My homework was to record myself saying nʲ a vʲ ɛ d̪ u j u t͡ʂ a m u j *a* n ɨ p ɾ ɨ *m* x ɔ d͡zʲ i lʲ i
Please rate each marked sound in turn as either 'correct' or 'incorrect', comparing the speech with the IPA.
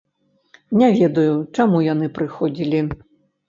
correct, incorrect: none

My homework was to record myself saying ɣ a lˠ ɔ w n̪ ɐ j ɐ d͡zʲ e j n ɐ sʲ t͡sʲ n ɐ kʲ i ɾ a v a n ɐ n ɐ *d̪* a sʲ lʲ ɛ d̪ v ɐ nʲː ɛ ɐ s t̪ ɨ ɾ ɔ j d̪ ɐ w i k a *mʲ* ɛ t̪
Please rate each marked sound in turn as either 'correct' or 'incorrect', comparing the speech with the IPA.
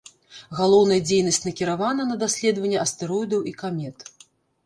correct, correct

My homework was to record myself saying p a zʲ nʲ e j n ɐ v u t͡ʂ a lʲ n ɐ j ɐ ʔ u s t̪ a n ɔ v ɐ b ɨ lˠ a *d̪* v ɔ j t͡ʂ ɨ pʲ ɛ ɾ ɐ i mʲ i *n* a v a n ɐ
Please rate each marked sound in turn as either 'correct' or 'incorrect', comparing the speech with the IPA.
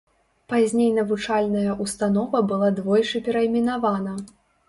correct, correct

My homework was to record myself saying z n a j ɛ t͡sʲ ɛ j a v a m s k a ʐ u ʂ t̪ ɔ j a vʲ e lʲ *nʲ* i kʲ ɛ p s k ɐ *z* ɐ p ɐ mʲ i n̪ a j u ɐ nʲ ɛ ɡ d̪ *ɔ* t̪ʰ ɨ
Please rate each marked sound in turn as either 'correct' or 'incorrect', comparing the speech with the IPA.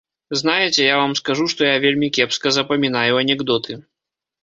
incorrect: mʲ, correct, correct

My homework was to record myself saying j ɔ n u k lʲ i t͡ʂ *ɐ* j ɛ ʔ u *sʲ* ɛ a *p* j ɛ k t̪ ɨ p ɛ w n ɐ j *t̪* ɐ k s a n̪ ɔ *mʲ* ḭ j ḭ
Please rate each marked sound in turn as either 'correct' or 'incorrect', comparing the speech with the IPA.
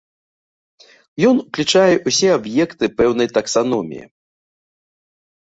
incorrect: a, correct, incorrect: b, correct, correct

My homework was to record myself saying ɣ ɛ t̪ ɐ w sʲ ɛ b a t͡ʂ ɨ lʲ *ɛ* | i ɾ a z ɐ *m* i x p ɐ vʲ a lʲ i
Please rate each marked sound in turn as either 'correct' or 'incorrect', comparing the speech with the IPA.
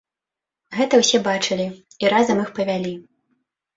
incorrect: i, correct

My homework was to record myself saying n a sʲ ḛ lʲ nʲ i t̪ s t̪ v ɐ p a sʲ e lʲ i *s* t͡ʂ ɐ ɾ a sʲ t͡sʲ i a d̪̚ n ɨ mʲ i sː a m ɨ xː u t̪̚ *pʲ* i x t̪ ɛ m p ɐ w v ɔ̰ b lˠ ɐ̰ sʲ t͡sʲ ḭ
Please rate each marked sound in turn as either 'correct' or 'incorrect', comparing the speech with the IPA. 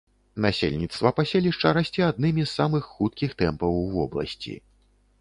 incorrect: ʂ, incorrect: kʲ

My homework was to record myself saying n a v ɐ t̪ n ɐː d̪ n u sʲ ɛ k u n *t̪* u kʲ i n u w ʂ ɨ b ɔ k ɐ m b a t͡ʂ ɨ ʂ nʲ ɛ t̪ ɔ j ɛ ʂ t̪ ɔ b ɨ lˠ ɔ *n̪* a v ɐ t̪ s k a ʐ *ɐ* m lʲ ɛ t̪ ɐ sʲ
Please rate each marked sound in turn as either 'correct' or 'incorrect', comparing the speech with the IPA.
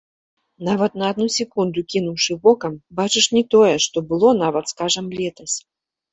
incorrect: d̪, correct, correct

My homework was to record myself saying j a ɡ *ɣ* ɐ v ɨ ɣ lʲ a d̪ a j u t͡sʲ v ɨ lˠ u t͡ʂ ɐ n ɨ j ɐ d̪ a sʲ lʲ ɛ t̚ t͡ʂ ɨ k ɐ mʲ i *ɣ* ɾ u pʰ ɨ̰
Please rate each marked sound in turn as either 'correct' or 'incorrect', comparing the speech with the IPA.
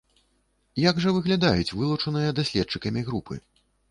incorrect: ʐ, correct

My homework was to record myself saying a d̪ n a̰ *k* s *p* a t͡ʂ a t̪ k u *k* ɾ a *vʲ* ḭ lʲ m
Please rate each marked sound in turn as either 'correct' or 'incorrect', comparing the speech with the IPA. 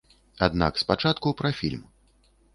correct, correct, incorrect: p, incorrect: fʲ

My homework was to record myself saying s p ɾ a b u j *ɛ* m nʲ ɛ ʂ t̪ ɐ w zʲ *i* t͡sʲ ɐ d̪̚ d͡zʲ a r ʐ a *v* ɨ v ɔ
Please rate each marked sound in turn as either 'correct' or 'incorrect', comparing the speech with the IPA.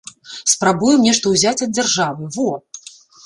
correct, incorrect: a, correct

